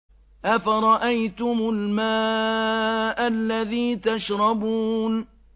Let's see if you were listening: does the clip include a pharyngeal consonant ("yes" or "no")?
no